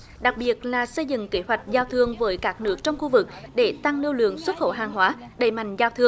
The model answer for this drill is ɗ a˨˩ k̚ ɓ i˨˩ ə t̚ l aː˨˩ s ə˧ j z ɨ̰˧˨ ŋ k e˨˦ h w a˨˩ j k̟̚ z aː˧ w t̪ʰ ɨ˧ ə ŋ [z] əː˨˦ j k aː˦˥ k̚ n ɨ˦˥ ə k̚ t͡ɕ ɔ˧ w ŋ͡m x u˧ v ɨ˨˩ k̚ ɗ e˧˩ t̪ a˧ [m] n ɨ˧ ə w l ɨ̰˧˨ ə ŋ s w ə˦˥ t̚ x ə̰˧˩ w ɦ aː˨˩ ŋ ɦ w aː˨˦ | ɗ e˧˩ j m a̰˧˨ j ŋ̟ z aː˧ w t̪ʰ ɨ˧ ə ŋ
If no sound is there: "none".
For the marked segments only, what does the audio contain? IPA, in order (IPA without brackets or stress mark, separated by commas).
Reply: v, ŋ